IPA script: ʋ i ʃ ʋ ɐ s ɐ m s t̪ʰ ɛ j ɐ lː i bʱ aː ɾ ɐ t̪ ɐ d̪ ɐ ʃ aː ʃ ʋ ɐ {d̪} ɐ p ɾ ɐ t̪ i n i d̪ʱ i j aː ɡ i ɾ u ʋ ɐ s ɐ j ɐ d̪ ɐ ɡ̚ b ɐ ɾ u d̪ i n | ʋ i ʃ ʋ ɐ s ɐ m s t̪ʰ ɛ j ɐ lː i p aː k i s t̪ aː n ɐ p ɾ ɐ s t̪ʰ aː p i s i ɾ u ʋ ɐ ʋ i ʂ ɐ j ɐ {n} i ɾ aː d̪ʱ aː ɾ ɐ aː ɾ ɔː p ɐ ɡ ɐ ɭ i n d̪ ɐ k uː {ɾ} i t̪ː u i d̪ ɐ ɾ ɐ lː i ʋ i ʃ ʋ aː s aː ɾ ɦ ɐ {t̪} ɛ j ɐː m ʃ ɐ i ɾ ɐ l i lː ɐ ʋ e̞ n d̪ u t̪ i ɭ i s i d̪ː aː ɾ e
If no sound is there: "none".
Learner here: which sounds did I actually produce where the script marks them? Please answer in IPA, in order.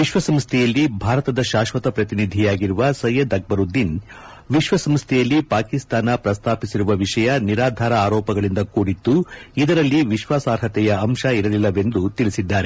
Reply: t̪, n, ɽ, t̪

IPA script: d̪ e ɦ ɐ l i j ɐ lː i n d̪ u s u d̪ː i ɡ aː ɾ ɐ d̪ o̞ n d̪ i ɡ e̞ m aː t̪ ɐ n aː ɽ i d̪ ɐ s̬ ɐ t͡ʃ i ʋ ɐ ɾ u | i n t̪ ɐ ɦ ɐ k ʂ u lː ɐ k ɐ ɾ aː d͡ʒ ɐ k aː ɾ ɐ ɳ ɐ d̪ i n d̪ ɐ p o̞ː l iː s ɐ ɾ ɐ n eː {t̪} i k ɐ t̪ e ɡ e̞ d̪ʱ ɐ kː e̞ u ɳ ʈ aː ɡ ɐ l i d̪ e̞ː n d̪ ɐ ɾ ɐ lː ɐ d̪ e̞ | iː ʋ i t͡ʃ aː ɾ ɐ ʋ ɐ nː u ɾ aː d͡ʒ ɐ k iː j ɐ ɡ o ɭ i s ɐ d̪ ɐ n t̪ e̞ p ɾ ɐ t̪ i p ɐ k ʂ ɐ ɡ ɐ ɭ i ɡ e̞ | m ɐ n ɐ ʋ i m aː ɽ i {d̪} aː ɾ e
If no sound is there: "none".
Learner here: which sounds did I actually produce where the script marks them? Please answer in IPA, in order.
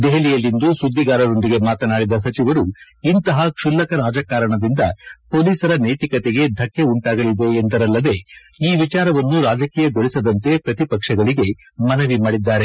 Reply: t̪, d̪ː

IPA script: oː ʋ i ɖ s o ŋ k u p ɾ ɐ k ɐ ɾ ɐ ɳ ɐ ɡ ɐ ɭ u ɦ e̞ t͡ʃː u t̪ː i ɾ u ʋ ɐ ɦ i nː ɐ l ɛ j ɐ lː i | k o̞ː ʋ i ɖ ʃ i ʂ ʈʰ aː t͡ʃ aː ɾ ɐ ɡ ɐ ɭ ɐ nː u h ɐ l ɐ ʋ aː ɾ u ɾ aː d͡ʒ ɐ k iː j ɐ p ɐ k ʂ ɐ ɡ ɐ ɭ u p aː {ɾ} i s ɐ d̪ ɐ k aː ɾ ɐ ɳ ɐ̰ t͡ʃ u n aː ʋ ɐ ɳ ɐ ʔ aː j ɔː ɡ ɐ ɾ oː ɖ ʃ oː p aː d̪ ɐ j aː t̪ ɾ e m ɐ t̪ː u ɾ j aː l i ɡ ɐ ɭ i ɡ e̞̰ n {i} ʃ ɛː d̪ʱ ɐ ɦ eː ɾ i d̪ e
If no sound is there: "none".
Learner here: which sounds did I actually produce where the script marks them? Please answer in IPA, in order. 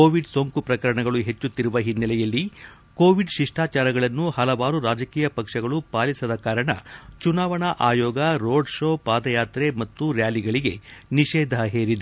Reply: l, i

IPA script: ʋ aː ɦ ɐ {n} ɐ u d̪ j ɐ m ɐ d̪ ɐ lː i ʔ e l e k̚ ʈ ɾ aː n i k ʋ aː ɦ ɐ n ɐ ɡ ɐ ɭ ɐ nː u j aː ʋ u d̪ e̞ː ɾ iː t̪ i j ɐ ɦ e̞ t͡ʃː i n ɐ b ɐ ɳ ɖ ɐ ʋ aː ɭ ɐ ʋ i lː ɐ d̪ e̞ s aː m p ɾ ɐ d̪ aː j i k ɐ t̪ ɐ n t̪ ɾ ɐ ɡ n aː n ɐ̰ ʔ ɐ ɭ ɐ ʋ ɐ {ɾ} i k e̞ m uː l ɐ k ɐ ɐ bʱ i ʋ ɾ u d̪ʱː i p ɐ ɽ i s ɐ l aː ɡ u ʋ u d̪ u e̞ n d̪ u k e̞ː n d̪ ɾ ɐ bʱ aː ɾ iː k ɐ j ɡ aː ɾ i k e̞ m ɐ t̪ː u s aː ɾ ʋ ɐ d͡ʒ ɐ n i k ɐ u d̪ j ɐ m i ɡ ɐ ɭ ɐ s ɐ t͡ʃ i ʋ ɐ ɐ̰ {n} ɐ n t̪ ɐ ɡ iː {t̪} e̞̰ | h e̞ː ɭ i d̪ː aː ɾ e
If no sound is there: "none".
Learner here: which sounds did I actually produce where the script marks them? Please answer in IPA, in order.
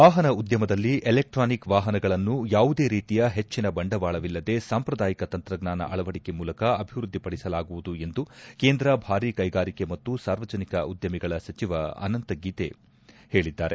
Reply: n, ɽ, n, t̪

